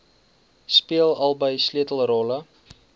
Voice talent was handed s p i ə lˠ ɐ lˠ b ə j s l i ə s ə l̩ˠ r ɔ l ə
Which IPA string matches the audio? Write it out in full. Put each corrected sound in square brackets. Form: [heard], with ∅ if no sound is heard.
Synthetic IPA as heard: s p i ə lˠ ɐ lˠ b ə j s l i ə [t] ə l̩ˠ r ɔ l ə